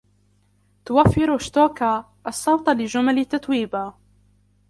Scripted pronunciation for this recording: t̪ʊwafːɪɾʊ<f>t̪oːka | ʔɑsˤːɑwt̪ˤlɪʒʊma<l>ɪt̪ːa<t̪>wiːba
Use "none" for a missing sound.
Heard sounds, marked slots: ʃ, l, t̪

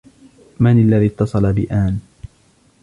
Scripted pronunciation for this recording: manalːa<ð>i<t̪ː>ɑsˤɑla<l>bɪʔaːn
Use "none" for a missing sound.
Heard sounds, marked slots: ð, t̪ː, none

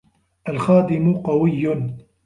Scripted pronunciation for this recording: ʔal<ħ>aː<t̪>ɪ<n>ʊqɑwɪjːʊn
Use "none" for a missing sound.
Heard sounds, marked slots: x, d̪, m

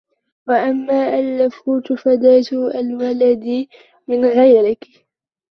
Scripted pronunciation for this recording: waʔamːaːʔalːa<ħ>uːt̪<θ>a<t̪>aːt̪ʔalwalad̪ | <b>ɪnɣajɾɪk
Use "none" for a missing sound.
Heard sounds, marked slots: f, f, d̪, m

